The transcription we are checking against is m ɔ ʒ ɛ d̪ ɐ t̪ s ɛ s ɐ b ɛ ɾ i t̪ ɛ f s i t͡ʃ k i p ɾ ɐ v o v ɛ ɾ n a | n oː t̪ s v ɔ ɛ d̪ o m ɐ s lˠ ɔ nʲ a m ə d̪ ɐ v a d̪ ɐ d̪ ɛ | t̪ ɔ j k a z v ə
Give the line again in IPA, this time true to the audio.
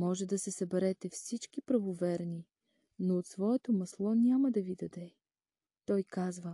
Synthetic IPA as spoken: m ɔ ʒ ɛ d̪ ɐ s ɛ s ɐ b ɛ ɾ ɛ t̪ ɛ f s i t͡ʃ k i p ɾ ɐ v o v ɛ ɾ n i | n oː t̪ s v ɔ ɛ t̪ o m ɐ s lˠ ɔ nʲ a m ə d̪ ɐ v i d̪ ɐ d̪ ɛ | t̪ ɔ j k a z v ə